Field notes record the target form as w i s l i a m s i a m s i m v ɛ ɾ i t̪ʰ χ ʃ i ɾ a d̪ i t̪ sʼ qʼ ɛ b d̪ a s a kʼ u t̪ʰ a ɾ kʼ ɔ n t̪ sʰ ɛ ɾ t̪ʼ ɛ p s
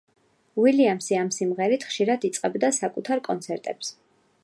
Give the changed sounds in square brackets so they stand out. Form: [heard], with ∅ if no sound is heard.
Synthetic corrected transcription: w i [∅] l i a m s i a m s i m [ʁ] ɛ ɾ i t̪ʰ χ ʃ i ɾ a d̪ i t̪ sʼ qʼ ɛ b d̪ a s a kʼ u t̪ʰ a ɾ kʼ ɔ n t̪ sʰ ɛ ɾ t̪ʼ ɛ p s

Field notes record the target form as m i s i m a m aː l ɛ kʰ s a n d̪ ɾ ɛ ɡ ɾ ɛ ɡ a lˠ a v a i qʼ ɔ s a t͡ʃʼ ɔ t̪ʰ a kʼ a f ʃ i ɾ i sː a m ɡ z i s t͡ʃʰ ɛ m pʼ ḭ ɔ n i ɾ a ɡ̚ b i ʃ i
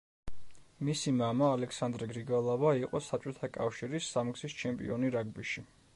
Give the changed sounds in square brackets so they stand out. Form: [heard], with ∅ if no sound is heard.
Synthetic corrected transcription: m i s i m a m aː l ɛ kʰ s a n d̪ ɾ ɛ ɡ ɾ [i] ɡ a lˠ a v a i qʼ ɔ s a t͡ʃʼ ɔ t̪ʰ a kʼ a f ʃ i ɾ i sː a m ɡ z i s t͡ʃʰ ɛ m pʼ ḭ ɔ n i ɾ a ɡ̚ b i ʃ i

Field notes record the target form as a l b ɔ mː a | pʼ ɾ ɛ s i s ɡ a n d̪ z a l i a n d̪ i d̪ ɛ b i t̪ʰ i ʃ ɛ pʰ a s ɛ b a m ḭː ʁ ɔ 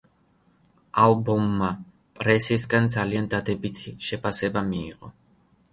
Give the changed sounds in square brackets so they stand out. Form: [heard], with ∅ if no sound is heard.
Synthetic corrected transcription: a l b ɔ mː a | pʼ ɾ ɛ s i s ɡ a n d̪ z a l i a n d̪ [a] d̪ ɛ b i t̪ʰ i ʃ ɛ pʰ a s ɛ b a m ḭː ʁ ɔ

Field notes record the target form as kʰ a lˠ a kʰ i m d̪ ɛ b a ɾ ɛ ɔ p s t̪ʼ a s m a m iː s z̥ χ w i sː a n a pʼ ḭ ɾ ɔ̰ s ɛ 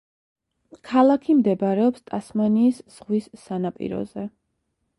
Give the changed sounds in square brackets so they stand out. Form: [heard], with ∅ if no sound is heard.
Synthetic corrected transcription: kʰ a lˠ a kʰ i m d̪ ɛ b a ɾ ɛ ɔ p s t̪ʼ a s m a [n] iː s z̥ [ʁ] w i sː a n a pʼ ḭ ɾ ɔ̰ [z] ɛ

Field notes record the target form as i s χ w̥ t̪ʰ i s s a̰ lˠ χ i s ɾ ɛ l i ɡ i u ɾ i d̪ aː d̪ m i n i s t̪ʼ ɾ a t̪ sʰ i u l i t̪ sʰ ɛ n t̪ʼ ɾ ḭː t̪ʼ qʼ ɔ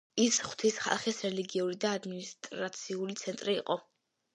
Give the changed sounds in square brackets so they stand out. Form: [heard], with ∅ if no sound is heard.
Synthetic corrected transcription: i s χ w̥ t̪ʰ i s [χ] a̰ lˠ χ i s ɾ ɛ l i ɡ i u ɾ i d̪ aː d̪ m i n i s t̪ʼ ɾ a t̪ sʰ i u l i t̪ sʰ ɛ n t̪ʼ ɾ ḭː [∅] qʼ ɔ

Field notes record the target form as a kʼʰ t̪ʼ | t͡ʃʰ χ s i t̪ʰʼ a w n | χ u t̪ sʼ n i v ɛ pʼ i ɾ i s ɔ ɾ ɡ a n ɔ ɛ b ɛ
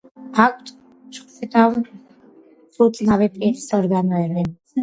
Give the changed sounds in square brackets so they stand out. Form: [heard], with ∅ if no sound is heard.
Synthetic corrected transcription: a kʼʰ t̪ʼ | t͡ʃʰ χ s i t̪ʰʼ a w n | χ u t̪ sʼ n [a] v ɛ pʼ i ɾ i s ɔ ɾ ɡ a n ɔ ɛ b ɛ

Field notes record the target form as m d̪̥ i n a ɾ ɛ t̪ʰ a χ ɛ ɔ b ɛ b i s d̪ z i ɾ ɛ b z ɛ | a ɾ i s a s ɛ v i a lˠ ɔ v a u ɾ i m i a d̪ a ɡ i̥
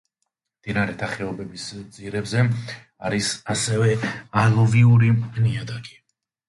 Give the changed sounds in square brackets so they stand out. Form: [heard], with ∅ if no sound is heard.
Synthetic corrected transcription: m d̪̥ i n a ɾ ɛ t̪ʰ a χ ɛ ɔ b ɛ b i s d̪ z i ɾ ɛ b z ɛ | a ɾ i s a s ɛ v [ɛ] a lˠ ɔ v [i] u ɾ i [n] i a d̪ a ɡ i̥

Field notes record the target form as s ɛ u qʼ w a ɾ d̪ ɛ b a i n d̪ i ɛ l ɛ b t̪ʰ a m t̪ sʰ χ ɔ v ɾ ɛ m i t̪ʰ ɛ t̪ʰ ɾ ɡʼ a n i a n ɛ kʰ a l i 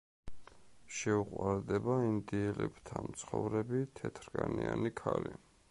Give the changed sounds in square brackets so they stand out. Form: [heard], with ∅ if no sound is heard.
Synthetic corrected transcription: [ʃ] ɛ u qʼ w a ɾ d̪ ɛ b a i n d̪ i ɛ l ɛ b t̪ʰ a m t̪ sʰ χ ɔ v ɾ ɛ [b] i t̪ʰ ɛ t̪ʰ ɾ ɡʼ a n i a n [i] kʰ a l i

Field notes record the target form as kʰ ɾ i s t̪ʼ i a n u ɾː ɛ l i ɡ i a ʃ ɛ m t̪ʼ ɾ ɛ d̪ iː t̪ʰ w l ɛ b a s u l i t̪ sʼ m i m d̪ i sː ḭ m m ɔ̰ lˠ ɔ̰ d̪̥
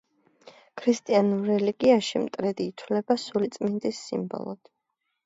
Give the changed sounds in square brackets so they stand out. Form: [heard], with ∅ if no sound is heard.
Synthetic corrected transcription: kʰ ɾ i s t̪ʼ i a n u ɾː ɛ l i ɡ i a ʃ [i] m t̪ʼ ɾ ɛ d̪ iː t̪ʰ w l ɛ b a s u l i t̪ sʼ m i [n] d̪ i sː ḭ m [b] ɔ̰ lˠ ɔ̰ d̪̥

